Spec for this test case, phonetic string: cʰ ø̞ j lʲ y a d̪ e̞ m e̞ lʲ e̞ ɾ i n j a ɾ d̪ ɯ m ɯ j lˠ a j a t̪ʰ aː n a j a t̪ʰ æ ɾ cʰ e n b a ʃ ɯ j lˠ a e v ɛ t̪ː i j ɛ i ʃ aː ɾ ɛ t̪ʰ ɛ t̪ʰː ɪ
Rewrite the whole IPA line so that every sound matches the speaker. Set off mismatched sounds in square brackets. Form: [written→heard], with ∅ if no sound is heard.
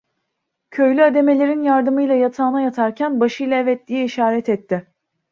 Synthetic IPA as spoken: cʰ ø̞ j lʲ y a d̪ e̞ m e̞ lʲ e̞ ɾ i n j a ɾ d̪ ɯ m ɯ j lˠ a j a t̪ʰ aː n a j a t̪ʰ [æ→a] ɾ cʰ [e→æ] n b a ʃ ɯ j lˠ a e v ɛ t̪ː i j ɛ i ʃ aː ɾ ɛ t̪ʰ ɛ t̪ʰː ɪ